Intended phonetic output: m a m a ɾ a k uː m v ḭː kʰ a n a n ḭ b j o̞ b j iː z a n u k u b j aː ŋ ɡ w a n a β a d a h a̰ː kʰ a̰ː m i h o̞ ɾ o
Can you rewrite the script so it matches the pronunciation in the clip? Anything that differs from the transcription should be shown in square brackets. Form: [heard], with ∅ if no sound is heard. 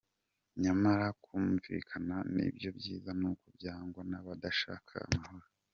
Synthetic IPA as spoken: [ɲ] a m a ɾ a k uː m v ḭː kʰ a n a n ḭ b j o̞ b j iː z a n u k u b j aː ŋ ɡ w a n a β a d a [ʃ] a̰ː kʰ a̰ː m [a] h o̞ ɾ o